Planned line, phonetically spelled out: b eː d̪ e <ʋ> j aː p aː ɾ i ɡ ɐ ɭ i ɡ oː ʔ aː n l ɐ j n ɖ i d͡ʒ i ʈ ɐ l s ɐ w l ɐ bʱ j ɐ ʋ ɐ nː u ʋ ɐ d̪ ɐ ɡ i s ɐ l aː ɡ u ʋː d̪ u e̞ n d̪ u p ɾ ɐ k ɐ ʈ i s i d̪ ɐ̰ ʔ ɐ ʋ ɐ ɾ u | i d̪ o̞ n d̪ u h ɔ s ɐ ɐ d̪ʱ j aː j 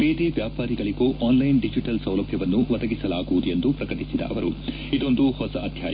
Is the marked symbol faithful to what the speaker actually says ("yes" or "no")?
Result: yes